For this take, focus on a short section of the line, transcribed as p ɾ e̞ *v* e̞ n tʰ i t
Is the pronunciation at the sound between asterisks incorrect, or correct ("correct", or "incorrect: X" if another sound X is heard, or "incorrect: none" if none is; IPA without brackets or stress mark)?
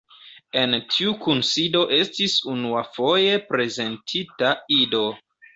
incorrect: z